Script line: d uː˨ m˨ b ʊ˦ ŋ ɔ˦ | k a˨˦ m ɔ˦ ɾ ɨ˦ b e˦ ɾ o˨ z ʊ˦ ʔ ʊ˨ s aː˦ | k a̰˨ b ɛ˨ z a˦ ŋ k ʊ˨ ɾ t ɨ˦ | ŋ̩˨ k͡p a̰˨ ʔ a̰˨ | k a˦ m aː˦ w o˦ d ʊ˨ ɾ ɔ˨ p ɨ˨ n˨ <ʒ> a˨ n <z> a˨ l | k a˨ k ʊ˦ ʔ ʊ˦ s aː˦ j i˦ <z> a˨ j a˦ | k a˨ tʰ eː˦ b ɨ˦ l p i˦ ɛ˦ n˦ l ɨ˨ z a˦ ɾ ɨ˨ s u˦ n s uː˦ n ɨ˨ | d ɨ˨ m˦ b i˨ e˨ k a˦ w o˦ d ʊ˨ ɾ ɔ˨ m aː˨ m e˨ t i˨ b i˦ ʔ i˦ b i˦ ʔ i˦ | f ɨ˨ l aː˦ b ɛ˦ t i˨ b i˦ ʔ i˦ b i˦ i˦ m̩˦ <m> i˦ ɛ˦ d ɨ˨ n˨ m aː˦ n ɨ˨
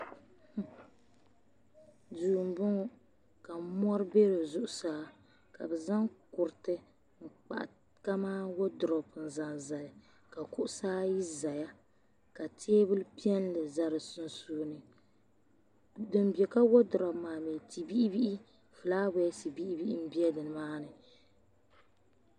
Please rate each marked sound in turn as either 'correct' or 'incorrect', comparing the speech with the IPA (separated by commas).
incorrect, correct, correct, incorrect